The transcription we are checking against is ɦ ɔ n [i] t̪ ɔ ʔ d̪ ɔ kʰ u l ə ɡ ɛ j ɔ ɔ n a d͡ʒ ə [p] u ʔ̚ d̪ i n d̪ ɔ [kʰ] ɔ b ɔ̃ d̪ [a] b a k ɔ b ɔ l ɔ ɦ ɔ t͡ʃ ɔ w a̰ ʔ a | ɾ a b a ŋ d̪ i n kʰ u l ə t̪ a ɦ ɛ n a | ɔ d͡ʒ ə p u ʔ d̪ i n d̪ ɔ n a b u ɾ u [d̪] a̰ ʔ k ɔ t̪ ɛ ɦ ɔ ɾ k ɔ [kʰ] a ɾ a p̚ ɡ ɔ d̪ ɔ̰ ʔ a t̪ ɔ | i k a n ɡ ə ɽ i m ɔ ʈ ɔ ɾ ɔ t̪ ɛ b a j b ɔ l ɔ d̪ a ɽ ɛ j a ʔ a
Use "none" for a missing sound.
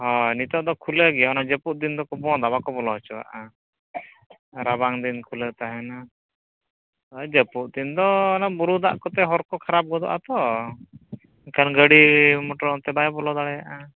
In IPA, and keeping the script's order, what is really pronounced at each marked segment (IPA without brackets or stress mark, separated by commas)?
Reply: i, p, k, a, d̪, kʰ